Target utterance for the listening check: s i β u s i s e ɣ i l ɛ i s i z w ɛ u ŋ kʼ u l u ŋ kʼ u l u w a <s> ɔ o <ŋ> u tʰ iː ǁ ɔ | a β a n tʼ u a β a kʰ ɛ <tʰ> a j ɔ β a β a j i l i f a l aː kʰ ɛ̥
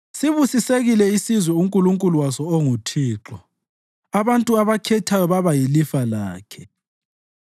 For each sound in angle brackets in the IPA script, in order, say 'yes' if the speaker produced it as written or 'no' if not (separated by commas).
yes, yes, yes